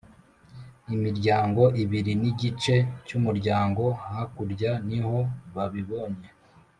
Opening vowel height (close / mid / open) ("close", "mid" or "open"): close